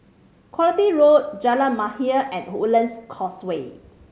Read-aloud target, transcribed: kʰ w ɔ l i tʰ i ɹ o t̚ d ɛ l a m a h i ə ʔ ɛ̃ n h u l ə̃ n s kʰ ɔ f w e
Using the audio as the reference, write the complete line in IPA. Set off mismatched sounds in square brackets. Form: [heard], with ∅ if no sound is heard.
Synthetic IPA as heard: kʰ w ɔ l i [t] i ɹ o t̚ [d͡ʒ] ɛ l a m a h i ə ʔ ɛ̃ n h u l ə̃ n s kʰ ɔ [s] w e

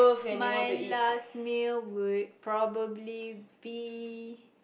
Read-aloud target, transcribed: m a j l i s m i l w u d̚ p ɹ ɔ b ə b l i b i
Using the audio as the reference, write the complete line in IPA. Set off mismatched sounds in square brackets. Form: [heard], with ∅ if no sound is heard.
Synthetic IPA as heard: m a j l [a] s m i l w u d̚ p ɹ ɔ b ə b l i b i

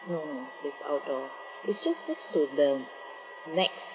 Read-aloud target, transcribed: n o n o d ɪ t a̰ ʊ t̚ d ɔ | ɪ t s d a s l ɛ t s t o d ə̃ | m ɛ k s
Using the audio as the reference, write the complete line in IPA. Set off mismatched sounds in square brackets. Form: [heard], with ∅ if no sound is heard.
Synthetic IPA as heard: n o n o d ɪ [s] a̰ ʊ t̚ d ɔ | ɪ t s [d͡ʒ] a s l ɛ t s t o d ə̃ | [n] ɛ k s

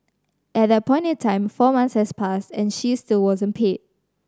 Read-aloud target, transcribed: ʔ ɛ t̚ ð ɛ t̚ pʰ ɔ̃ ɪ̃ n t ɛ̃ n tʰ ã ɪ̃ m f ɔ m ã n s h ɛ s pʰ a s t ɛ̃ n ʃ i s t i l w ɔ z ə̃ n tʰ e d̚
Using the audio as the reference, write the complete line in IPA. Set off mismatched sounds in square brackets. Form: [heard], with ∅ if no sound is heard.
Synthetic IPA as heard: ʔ ɛ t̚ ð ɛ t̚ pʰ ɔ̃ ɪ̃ n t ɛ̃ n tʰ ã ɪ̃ m f ɔ m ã n s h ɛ s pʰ a s t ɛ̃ n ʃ i s t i l w ɔ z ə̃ n [pʰ] e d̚

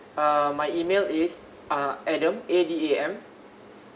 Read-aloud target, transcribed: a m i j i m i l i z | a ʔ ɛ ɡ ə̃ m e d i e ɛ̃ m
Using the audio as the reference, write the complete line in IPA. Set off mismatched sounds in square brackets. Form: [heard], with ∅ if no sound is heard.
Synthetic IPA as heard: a m [a] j i m [e] l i [s] | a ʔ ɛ [d] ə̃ m e d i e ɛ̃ m

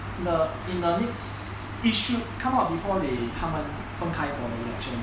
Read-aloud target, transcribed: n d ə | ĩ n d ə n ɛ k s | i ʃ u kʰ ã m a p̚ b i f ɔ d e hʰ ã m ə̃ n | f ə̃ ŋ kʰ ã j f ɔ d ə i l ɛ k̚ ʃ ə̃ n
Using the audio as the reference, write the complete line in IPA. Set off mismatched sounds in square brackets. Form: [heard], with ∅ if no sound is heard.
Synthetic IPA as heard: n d ə | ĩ n d ə n ɛ k s | i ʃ u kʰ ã m a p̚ b i f ɔ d e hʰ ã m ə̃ n | f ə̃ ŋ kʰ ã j f ɔ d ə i l ɛ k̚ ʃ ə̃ n

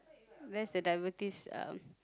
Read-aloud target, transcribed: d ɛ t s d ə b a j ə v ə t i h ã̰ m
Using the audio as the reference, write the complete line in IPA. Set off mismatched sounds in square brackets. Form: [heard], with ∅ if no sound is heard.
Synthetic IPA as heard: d ɛ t s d ə [d] a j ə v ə t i [s] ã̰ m

